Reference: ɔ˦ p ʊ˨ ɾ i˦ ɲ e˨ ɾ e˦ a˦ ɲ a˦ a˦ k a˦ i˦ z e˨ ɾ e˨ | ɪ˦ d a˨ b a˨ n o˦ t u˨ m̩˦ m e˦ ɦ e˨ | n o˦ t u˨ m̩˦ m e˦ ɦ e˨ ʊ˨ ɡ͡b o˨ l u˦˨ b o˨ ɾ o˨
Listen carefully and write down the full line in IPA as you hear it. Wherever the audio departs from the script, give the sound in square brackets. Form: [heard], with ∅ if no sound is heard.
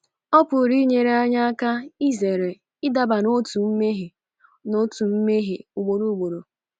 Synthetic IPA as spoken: ɔ˦ p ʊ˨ ɾ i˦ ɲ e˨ ɾ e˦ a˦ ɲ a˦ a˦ k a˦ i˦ z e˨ ɾ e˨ | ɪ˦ d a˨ b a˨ n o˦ t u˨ m̩˦ m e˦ ɦ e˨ | n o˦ t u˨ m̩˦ m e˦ ɦ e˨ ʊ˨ ɡ͡b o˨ [ɾ] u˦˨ [ɡ͡b] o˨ ɾ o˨